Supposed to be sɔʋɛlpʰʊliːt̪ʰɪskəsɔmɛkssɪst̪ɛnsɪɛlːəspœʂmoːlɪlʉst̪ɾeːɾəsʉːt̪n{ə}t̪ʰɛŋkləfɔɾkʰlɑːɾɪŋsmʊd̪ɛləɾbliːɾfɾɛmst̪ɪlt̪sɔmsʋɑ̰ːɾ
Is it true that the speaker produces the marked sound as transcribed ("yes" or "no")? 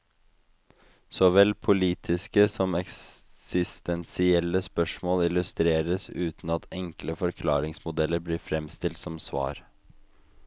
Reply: no